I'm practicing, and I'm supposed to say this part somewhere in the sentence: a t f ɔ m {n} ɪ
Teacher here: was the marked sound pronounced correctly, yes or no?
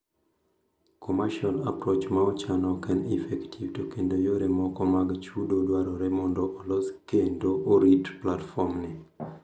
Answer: yes